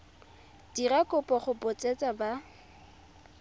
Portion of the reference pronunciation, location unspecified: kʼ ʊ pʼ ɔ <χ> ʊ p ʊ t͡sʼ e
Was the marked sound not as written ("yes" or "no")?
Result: no